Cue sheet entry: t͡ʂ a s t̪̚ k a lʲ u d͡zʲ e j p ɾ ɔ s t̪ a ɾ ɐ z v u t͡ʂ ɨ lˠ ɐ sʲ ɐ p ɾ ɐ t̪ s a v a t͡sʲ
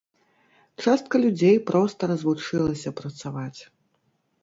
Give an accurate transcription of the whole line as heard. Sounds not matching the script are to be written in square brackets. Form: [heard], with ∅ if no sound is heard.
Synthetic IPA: t͡ʂ a s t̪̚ k [ɐ] lʲ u d͡zʲ e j p ɾ ɔ s t̪ [ɐ] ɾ ɐ z v u t͡ʂ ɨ lˠ ɐ sʲ ɐ p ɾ ɐ t̪ s a v a t͡sʲ